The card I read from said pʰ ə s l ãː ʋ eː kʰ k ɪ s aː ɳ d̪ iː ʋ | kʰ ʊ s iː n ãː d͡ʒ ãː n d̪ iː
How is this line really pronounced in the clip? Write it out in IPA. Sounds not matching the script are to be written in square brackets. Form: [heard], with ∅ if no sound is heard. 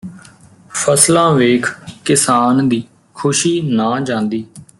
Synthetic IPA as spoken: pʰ ə s l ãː ʋ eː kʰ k ɪ s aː [n] d̪ iː [∅] | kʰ ʊ [ʃ] iː n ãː d͡ʒ ãː n d̪ iː